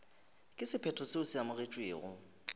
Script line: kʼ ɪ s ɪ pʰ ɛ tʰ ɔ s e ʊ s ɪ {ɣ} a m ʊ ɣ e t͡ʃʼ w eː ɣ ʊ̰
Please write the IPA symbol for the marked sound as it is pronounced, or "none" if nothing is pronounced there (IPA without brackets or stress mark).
none